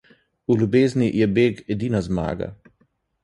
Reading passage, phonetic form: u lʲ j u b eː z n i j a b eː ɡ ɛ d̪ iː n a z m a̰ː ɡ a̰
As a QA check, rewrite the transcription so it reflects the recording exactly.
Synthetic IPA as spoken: u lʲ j u b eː z n i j ɛ b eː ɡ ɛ d̪ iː n a z m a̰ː ɡ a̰